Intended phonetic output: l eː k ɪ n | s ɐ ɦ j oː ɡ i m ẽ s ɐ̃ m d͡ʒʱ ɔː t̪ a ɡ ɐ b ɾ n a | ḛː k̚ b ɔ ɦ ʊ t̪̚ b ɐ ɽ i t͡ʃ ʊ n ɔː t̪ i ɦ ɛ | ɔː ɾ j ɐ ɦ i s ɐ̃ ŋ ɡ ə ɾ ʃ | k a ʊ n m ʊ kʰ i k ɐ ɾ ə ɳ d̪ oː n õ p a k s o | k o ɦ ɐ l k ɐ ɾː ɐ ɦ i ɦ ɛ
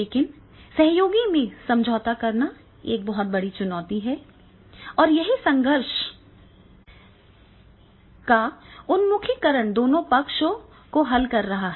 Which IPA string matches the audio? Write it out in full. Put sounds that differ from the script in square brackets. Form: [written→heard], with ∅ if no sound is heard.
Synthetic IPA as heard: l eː k ɪ n | s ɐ ɦ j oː ɡ i m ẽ s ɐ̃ m d͡ʒʱ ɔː t̪ a [ɡ→k] ɐ [b→∅] ɾ n a | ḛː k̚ b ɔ ɦ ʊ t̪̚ b ɐ ɽ i t͡ʃ ʊ n ɔː t̪ i ɦ ɛ | ɔː ɾ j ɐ ɦ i s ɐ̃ ŋ ɡ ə ɾ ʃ | k a ʊ n m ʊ kʰ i k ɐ ɾ ə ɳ d̪ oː n õ p [a→ɐ] k [s→ʃ] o | k o ɦ ɐ l k ɐ ɾː ɐ ɦ [i→a] ɦ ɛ